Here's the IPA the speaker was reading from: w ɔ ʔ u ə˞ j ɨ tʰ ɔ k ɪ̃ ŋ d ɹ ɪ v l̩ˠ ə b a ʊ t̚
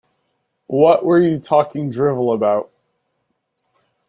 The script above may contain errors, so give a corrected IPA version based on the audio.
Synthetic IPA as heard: w ʌ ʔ w ə˞ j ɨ tʰ ɔ k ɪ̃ ŋ d ɹ ɪ v l̩ˠ ə b a ʊ t̚